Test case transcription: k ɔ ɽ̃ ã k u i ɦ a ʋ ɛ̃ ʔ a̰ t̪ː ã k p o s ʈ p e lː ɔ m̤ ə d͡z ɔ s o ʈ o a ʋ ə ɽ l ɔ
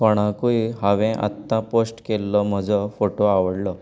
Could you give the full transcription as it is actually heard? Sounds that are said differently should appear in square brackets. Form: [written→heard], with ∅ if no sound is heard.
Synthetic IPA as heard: k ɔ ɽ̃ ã k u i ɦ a ʋ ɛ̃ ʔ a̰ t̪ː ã [k→∅] p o s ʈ [p→k] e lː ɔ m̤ ə d͡z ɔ [s→f] o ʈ o a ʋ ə ɽ l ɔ